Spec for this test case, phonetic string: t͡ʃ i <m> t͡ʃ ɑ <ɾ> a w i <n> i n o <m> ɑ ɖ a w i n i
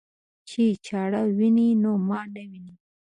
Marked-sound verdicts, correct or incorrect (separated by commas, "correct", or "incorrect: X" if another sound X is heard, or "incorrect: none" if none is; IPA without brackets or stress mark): incorrect: none, incorrect: ɽ, correct, correct